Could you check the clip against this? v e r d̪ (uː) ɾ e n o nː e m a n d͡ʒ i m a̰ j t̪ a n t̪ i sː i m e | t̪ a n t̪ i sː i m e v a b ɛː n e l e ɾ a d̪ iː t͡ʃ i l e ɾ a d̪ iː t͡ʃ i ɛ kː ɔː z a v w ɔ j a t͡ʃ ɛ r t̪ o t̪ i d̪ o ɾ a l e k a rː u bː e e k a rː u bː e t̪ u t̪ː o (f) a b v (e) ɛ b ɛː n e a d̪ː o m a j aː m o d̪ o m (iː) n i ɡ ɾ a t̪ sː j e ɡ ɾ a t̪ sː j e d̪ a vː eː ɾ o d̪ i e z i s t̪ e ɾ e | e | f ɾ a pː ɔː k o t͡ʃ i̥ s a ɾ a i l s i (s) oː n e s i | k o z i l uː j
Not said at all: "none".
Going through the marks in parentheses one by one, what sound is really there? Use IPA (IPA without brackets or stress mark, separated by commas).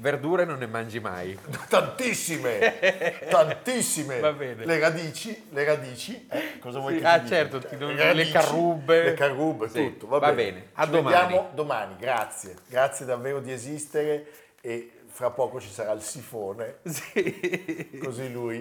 uː, v, a, aː, f